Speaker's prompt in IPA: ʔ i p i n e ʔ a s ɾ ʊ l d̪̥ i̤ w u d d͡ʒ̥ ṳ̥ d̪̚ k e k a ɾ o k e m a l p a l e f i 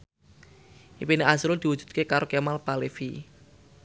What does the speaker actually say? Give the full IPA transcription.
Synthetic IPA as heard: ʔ i p i n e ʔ a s ɾ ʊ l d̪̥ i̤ w u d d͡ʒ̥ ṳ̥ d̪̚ k e k a ɾ o k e m a l p a l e f i